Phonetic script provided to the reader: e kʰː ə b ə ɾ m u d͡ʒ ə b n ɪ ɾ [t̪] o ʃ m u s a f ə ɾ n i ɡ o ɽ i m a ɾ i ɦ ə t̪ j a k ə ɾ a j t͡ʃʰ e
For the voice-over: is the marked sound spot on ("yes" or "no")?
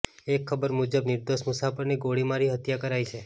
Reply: no